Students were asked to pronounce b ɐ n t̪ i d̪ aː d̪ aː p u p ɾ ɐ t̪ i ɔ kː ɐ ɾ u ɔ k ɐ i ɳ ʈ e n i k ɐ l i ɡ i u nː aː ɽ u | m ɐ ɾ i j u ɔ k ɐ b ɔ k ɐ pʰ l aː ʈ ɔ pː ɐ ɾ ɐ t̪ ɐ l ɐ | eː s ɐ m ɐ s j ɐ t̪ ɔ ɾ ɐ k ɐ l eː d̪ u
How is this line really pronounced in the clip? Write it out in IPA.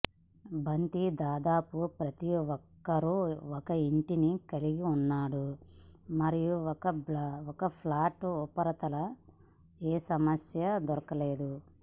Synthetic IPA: b ɐ n t̪ i d̪ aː d̪ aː p u p ɾ ɐ t̪ i ɔ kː ɐ ɾ u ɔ k ɐ i ɳ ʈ i n i k ɐ l i ɡ i u nː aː ɽ u | m ɐ ɾ i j u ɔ k ɐ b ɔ k ɐ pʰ l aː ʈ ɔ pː ɐ ɾ ɐ t̪ ɐ l ɐ | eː s ɐ m ɐ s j ɐ d̪ ɔ ɾ ɐ k ɐ l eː d̪ u